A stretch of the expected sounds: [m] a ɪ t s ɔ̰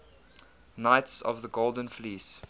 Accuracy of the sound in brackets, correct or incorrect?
incorrect: n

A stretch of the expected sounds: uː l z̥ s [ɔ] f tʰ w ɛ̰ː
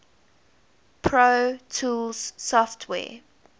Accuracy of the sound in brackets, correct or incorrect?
correct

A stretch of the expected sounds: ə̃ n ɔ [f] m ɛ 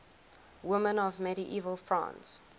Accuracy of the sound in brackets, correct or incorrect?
incorrect: v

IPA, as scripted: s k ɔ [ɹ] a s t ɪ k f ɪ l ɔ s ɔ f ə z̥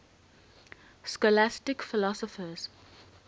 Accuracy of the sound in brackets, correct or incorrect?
incorrect: l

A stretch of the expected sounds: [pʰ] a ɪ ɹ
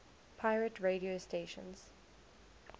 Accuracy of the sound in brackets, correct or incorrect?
correct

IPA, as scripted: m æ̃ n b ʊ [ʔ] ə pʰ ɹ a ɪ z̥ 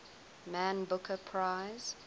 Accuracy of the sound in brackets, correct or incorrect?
incorrect: k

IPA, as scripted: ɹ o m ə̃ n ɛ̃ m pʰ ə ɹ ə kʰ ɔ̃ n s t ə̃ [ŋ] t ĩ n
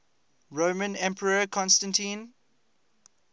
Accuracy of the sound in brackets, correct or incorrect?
incorrect: n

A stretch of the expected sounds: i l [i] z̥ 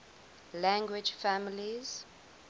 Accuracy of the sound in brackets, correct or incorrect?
correct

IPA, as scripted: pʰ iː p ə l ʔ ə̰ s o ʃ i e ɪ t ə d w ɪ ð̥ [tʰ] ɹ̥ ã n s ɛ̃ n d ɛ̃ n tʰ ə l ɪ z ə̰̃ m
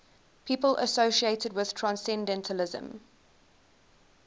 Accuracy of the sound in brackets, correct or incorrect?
correct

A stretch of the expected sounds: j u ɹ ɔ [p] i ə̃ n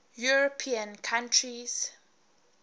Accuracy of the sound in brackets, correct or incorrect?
incorrect: pʰ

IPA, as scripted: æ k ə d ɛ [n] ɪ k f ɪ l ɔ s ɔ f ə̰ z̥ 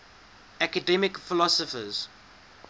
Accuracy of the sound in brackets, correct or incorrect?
incorrect: m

